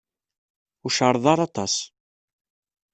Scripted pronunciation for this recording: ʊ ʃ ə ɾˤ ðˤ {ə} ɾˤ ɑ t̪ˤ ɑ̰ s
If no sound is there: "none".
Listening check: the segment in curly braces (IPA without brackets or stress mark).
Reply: ɑ